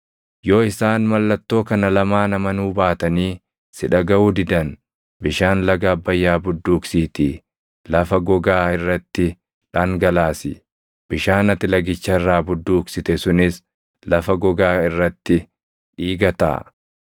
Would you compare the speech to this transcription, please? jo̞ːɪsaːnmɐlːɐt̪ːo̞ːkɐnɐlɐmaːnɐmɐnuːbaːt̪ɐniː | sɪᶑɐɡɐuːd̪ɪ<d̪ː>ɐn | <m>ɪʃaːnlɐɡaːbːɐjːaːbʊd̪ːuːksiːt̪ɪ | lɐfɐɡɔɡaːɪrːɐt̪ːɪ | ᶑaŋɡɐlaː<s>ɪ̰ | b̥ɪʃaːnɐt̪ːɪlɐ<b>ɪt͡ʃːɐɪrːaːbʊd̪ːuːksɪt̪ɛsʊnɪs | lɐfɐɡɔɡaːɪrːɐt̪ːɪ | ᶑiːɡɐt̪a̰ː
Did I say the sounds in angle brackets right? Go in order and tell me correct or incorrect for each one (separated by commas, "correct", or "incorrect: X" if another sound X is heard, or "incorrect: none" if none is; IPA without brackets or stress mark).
incorrect: d̪, incorrect: b, correct, incorrect: ɡ